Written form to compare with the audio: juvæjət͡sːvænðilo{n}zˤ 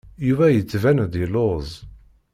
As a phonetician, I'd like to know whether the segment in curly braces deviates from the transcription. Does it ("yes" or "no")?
yes